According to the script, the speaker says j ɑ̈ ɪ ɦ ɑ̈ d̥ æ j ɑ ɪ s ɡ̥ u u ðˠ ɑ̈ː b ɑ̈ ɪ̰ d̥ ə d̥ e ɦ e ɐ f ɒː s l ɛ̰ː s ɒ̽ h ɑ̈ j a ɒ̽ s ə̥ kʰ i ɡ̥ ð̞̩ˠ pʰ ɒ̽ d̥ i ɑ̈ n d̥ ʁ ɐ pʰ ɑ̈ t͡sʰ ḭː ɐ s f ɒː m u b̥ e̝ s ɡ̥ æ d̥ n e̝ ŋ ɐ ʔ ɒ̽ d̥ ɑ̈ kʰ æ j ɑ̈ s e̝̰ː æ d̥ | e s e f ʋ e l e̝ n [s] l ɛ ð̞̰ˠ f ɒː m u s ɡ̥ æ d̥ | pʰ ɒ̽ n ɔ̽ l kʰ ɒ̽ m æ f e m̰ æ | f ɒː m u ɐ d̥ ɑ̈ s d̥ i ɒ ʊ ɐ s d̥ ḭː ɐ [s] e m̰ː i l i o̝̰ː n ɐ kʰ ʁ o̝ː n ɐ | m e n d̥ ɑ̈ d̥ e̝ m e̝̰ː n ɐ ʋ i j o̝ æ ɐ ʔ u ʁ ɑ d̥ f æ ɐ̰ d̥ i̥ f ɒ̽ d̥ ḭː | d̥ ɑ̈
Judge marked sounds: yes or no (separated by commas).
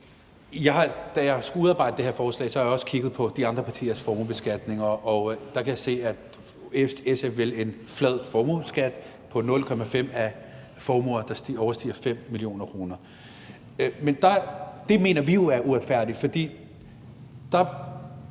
no, no